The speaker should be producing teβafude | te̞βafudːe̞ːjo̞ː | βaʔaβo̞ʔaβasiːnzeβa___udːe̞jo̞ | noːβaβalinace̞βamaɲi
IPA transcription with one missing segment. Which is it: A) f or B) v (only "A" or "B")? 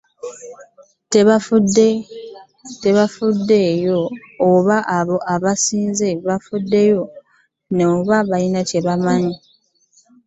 A